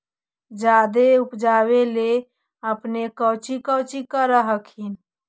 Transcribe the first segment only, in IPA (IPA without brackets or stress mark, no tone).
d͡ʒ